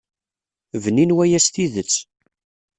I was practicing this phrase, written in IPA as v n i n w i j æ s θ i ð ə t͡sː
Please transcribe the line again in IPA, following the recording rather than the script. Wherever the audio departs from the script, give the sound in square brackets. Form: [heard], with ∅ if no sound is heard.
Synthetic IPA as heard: v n i n w [æ] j æ s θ i ð ə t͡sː